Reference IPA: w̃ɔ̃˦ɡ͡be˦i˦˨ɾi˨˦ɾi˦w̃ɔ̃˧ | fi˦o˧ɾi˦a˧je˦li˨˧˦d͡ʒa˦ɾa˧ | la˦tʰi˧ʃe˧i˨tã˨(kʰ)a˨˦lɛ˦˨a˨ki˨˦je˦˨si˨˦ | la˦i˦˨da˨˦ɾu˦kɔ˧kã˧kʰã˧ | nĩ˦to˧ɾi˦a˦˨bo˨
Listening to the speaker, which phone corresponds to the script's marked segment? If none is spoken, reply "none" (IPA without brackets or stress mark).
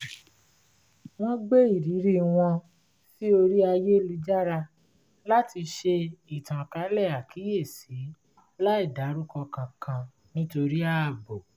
k